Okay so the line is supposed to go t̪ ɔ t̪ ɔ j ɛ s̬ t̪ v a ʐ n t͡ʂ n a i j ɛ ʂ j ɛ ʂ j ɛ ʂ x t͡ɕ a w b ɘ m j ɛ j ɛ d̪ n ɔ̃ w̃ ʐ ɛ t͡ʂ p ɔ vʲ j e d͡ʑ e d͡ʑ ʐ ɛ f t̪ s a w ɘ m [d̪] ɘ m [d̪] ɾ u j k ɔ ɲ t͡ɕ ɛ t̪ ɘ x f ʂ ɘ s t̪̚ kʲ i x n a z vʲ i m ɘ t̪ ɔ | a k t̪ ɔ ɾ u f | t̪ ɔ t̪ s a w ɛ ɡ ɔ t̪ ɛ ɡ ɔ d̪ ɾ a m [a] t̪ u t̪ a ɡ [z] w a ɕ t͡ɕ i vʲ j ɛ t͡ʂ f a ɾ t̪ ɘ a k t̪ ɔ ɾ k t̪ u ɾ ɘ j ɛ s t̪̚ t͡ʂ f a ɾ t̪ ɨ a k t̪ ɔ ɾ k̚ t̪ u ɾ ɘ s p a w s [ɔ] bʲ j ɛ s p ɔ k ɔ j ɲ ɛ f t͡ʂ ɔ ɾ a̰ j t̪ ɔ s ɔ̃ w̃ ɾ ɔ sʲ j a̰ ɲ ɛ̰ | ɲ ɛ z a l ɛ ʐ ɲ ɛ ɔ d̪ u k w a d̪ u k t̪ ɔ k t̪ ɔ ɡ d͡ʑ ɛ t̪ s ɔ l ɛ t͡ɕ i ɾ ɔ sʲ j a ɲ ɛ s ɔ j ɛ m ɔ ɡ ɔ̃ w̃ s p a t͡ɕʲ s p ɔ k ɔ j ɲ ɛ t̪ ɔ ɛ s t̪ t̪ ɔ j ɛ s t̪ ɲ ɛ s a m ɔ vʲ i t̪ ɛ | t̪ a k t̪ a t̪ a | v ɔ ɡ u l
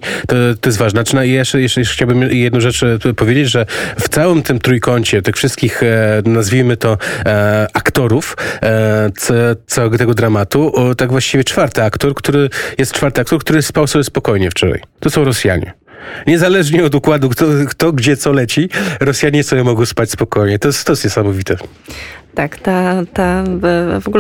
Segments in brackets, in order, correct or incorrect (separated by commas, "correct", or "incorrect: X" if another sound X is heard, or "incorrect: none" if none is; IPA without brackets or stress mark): incorrect: t̪, incorrect: t̪, correct, incorrect: v, correct